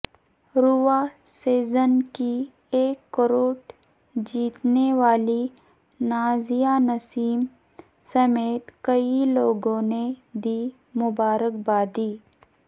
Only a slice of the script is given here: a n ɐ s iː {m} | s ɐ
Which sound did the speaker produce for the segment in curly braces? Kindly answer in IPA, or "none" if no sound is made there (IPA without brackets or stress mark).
m